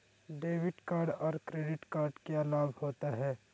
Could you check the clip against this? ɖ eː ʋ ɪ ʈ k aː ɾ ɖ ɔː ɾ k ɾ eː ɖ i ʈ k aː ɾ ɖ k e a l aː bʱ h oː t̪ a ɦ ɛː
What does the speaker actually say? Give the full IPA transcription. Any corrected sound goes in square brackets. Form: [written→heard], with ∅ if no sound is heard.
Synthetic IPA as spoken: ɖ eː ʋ ɪ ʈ k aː ɾ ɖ ɔː ɾ k ɾ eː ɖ [i→ɪ] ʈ k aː ɾ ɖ k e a l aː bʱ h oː t̪ a ɦ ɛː